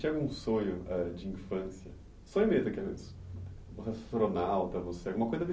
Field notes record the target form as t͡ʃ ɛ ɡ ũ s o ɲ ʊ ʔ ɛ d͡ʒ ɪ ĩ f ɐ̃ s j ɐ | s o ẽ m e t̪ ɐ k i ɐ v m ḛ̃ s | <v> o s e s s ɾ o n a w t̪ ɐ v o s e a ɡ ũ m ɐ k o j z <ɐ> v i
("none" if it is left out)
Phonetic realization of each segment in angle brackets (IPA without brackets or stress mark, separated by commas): v, ɐ